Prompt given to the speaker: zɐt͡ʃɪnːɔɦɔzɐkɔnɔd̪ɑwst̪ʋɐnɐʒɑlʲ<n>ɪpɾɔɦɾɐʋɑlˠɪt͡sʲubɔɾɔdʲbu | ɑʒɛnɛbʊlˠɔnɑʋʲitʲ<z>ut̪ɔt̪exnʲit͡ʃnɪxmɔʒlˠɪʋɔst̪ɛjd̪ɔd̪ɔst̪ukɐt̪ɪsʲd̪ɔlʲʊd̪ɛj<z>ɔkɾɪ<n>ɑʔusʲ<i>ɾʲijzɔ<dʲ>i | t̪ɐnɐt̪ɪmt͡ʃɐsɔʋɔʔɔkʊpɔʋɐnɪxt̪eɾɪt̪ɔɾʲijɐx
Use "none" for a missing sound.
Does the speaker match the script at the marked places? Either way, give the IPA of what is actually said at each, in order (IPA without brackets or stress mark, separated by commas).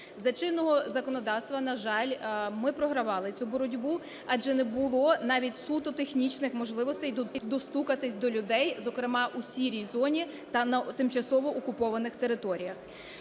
m, s, z, m, i, nʲ